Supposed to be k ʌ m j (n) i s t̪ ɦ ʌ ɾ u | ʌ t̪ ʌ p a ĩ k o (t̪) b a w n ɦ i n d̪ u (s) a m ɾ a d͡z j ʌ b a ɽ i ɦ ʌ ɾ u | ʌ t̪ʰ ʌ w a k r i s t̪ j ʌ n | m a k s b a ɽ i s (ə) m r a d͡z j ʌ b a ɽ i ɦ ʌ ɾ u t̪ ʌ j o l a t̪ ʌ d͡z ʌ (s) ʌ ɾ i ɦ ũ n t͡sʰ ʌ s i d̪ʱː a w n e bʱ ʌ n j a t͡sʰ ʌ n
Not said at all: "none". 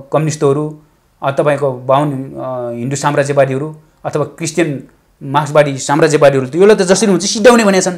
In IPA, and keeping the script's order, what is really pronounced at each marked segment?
n, none, s, a, s

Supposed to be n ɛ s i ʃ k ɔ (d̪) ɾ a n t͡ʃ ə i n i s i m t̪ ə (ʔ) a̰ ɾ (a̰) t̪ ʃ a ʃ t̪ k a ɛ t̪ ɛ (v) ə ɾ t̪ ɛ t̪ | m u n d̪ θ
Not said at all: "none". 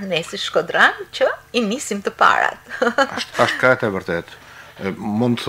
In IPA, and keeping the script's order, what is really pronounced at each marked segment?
d̪, p, a̰, v

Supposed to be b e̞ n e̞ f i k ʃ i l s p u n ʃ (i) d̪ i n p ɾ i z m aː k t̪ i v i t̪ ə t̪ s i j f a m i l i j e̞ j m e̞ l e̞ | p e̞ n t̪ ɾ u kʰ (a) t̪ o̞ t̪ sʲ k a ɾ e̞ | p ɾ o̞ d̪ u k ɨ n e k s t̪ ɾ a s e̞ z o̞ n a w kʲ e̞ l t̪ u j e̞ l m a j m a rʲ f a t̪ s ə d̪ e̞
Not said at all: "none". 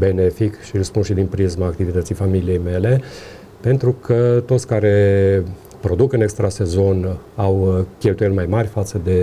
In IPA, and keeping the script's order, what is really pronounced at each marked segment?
i, ə

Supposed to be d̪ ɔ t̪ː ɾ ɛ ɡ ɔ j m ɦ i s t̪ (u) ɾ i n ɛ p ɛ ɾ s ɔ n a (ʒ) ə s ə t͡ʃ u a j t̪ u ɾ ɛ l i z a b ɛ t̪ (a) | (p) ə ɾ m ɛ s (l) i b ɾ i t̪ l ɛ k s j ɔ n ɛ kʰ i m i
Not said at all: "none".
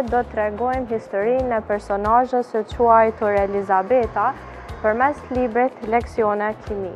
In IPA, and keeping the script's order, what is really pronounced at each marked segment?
ɔ, ʒ, a, p, l

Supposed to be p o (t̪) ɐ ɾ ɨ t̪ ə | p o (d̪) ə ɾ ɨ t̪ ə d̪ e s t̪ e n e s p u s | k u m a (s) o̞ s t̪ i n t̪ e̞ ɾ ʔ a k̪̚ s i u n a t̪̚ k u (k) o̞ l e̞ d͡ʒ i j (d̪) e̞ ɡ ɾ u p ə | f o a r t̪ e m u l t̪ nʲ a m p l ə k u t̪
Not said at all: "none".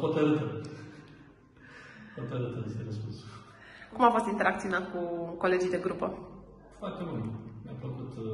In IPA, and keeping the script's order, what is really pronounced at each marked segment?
t̪, t̪, f, k, d̪

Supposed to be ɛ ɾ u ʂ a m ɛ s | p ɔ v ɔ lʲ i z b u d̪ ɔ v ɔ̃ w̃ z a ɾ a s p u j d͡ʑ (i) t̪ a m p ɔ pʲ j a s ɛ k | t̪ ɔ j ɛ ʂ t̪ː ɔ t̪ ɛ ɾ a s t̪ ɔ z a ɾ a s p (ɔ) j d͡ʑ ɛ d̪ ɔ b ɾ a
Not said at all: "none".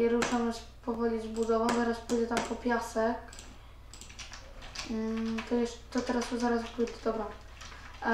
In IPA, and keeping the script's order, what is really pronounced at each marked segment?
ɛ, u

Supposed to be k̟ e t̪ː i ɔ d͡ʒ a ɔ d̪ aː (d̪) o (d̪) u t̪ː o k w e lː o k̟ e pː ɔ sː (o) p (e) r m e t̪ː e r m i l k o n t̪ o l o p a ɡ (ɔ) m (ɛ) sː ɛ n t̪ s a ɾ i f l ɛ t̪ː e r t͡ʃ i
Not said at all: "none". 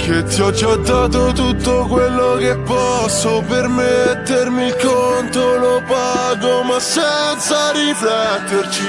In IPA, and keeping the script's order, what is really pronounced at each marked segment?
t̪, t̪, o, e, o, a

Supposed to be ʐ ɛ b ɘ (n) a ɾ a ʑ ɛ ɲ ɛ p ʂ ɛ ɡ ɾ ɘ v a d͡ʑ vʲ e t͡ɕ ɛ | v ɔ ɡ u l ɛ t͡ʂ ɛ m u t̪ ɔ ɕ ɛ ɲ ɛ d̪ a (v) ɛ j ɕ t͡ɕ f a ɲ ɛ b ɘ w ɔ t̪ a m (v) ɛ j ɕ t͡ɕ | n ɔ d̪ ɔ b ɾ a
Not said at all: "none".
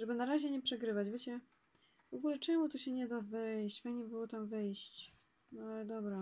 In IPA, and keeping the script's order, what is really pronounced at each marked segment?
n, v, v

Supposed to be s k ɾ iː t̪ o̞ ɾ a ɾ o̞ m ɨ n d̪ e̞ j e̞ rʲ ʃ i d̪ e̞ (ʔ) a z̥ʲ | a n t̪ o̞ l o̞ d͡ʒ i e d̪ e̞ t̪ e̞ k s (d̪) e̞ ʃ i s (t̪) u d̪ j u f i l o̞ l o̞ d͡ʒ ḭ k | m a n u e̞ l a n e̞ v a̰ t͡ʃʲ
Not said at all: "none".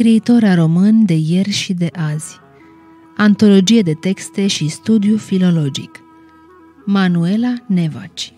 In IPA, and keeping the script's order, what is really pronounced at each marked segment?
ʔ, t̪, t̪

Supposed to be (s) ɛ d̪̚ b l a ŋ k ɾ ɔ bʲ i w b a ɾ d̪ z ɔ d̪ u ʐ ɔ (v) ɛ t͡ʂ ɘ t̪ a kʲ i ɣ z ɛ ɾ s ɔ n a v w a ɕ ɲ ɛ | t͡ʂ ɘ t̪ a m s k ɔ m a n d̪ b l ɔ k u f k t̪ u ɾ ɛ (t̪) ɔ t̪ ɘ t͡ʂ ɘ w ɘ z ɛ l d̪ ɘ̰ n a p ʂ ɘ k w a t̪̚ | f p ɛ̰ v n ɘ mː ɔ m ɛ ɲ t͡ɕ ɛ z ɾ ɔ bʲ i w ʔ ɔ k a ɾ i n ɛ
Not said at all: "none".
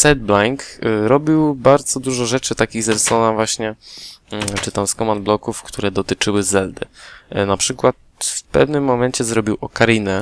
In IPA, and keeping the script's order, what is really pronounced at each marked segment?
s, ʐ, d̪

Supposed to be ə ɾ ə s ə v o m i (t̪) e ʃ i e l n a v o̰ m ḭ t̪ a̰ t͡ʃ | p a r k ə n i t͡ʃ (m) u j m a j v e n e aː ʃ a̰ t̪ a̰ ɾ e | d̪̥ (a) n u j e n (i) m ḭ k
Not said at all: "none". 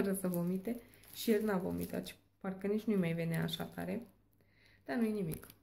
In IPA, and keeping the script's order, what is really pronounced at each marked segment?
t̪, n, a, i

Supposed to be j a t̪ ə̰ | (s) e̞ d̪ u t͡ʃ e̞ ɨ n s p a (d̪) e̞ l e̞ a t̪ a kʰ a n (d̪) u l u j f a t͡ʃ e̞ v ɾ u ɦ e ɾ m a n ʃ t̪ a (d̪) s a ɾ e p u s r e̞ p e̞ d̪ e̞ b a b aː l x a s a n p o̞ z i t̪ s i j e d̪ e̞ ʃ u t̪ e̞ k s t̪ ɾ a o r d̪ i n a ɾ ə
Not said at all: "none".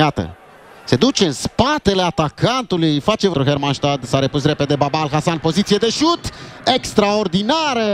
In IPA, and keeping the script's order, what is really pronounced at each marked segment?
s, t̪, t̪, d̪

